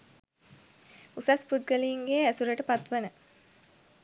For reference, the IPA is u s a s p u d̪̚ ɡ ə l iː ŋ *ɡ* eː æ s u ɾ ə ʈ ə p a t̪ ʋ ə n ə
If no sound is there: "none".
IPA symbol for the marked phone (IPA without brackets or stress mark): ɡ